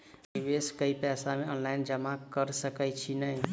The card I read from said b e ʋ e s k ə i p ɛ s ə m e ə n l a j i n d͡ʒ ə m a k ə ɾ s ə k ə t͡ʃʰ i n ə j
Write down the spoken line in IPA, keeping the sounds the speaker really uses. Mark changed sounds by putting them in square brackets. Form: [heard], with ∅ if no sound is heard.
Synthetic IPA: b [i] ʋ e s k ə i p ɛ s [a] m e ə n l a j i n d͡ʒ ə m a k ə ɾ s ə k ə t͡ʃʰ i n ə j